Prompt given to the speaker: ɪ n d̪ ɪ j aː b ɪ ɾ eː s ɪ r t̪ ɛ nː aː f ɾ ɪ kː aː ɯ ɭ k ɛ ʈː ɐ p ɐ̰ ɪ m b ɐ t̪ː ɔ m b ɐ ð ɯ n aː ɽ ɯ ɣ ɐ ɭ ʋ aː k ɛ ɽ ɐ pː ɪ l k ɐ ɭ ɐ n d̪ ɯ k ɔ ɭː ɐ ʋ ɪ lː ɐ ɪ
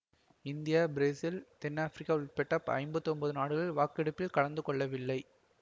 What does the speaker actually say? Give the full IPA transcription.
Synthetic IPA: ɪ n d̪ ɪ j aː b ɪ ɾ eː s ɪ l t̪ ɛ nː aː f ɾ ɪ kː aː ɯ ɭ p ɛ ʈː ɐ p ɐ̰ ɪ m b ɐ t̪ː ɔ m b ɐ ð ɯ n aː ɽ ɯ ɣ ɐ ɭ ʋ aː k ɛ ɽ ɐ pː ɪ l k ɐ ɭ ɐ n d̪ ɯ k ɔ ɭː ɐ ʋ ɪ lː ɐ ɪ